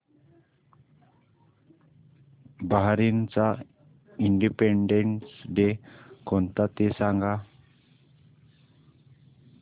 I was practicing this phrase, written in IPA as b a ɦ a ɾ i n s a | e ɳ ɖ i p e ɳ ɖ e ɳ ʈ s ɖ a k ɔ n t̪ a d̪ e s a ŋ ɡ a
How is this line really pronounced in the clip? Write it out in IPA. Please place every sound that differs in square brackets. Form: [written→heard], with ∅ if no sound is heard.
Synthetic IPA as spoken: b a ɦ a ɾ i n [s→t͡s] a | [e→i] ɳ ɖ i p e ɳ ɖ e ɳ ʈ s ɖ [a→e] k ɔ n t̪ a [d̪→t̪] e s a ŋ ɡ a